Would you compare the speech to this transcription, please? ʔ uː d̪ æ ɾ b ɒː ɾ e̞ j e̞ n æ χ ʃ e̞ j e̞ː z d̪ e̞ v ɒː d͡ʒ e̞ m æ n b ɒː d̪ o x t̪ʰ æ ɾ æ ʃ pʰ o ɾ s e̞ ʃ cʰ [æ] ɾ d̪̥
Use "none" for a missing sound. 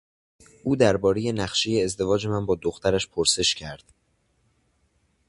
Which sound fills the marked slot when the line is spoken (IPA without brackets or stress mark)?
æ